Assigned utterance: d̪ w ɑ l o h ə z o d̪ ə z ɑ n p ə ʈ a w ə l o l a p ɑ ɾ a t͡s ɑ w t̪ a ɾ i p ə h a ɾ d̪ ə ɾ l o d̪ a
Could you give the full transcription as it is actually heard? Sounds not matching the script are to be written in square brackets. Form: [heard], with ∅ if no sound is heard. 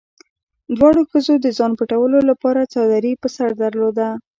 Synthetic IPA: d̪ w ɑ [ɽ] o [x] ə z o d̪ ə z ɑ n p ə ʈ a w ə l o l a p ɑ ɾ a t͡s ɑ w [d̪] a ɾ i p ə [s] a ɾ d̪ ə ɾ l o d̪ a